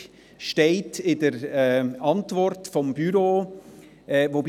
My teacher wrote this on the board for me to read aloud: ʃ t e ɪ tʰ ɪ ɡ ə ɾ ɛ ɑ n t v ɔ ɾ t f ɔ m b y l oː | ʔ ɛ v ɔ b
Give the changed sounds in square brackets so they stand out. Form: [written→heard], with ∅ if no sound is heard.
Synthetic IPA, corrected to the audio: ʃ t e ɪ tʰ ɪ [ɡ→d] ə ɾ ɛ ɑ n t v ɔ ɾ t f ɔ m b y [l→ɾ] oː | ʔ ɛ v [ɔ→o] b